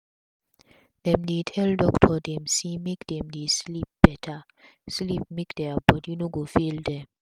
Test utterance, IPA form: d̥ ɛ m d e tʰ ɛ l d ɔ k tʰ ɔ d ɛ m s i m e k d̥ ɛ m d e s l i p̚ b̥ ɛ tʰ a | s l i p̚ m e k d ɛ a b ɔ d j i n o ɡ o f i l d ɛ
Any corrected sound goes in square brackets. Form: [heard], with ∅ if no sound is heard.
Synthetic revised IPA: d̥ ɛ m d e tʰ ɛ l d ɔ k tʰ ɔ d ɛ m s i m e k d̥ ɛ m d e s l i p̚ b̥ ɛ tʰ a | s l i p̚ m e k d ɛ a b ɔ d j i n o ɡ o f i l d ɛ

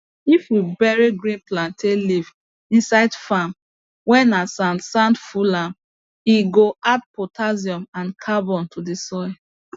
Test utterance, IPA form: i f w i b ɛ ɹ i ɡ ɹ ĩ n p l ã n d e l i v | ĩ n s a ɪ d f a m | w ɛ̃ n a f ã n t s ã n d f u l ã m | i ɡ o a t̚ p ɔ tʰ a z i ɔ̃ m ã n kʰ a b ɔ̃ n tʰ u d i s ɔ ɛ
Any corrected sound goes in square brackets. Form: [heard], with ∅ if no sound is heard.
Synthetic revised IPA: i f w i b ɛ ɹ i ɡ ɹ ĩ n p l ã n [t] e l i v | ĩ n s a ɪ d f a m | w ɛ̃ n a [s] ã n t s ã n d f u l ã m | i ɡ o a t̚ p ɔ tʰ a z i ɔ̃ m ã n kʰ a b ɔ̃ n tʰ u d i s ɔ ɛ

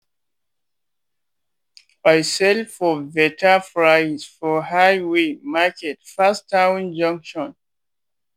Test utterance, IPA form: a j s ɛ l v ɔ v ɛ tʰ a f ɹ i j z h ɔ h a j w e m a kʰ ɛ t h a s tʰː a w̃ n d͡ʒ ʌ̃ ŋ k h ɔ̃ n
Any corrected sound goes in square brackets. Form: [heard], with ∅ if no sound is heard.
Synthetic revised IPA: a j s ɛ l [f] ɔ v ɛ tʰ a f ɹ [a] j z [f] ɔ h a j w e m a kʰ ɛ t [f] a s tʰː a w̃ n d͡ʒ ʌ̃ ŋ k [ʃ] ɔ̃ n

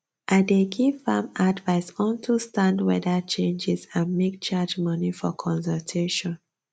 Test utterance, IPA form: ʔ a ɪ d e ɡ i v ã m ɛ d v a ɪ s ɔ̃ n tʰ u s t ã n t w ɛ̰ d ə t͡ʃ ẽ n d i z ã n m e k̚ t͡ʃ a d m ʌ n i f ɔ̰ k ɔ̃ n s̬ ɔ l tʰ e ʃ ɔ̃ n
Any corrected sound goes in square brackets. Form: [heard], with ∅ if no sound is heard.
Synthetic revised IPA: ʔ a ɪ d e ɡ i v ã m [a] d v a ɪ s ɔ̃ n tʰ u s t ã n [d] w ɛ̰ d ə t͡ʃ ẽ n [d͡ʒ] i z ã n m e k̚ t͡ʃ a [d͡ʒ] m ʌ n i f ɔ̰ [kʰ] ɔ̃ n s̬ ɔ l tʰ e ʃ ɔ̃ n

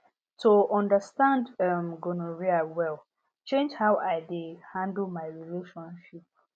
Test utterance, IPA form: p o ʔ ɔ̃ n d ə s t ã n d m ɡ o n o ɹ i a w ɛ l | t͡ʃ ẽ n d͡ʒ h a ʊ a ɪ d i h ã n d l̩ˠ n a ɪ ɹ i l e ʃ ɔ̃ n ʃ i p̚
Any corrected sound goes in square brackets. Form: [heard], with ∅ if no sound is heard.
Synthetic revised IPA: [t] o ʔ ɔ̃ n d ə s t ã n d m ɡ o n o ɹ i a w ɛ l | t͡ʃ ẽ n d͡ʒ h a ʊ a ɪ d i h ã n d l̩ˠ [m] a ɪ ɹ i l e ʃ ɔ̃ n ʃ i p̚

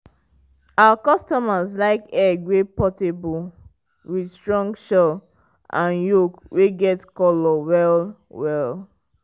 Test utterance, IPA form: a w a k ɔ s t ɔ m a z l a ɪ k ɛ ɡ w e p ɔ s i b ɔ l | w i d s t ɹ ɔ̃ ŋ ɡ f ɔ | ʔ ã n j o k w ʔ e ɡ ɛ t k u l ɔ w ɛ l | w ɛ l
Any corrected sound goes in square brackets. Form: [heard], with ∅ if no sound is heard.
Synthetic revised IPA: a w a k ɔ s t ɔ m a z l a ɪ k ɛ ɡ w e p ɔ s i b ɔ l | w i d s t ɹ ɔ̃ ŋ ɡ [ʃ] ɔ | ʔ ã n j o k w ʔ e ɡ ɛ t k [ɔ] l ɔ w ɛ l | w ɛ l

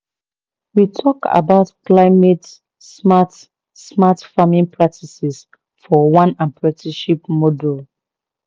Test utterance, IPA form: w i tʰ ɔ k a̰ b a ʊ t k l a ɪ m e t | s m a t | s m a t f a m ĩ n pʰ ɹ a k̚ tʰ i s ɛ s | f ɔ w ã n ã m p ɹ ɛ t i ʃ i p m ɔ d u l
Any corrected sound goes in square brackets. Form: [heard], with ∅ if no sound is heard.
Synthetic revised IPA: w i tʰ ɔ k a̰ b a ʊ t k l a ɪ m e t | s m a t | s m a t f a m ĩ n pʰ ɹ a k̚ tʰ i s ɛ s | f ɔ w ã n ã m p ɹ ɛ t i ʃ i p m ɔ d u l

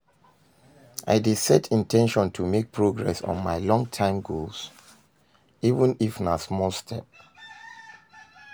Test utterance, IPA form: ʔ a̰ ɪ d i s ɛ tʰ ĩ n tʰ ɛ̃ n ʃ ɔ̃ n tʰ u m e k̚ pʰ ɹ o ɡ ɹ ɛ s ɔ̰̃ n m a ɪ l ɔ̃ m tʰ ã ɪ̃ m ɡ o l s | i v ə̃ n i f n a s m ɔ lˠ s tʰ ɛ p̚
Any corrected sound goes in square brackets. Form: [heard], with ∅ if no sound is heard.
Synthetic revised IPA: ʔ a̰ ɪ d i s ɛ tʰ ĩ n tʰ ɛ̃ n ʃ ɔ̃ n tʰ u m e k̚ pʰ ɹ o ɡ ɹ ɛ s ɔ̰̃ n m a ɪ l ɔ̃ [ŋ] tʰ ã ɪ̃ m ɡ o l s | i v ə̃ n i f n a s m ɔ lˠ s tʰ ɛ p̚

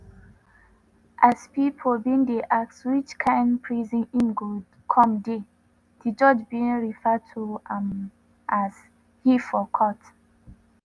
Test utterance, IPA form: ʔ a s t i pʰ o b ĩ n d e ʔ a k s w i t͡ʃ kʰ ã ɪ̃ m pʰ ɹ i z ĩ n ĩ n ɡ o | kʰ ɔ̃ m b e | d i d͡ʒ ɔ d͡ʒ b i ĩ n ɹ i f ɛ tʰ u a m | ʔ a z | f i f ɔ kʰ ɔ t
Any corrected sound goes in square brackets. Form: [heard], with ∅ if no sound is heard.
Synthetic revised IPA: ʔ a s [p] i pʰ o b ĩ n d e ʔ a k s w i t͡ʃ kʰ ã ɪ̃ [n] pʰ ɹ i z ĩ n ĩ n ɡ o | kʰ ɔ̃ m [d] e | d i d͡ʒ ɔ d͡ʒ b i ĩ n ɹ i f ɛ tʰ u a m | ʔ a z | [h] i f ɔ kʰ ɔ t

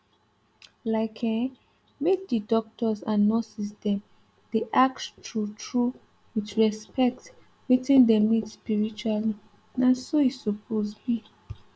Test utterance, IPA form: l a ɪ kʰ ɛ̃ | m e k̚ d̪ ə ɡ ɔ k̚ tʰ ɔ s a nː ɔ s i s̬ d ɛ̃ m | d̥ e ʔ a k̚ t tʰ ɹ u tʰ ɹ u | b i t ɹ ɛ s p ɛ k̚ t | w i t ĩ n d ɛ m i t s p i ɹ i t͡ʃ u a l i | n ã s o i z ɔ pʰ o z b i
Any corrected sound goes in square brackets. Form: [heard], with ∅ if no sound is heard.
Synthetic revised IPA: l a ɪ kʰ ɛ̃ | m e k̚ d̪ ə [d] ɔ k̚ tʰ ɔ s a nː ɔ s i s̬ d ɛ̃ m | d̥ e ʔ a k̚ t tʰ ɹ u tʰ ɹ u | [w] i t ɹ ɛ s p ɛ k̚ t | w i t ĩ n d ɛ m i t s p i ɹ i t͡ʃ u a l i | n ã s o i [s] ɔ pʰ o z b i

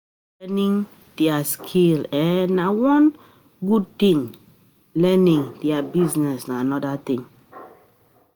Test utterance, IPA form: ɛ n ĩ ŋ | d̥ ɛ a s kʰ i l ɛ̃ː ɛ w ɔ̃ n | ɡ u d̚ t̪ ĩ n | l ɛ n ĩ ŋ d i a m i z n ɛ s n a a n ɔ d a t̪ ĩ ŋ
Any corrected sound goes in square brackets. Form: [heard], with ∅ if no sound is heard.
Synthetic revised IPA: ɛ n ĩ ŋ | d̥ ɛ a s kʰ i l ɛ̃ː [a] w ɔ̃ n | ɡ u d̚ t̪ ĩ [ŋ] | l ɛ n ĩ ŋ d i a [b] i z n ɛ s n a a n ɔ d a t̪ ĩ ŋ

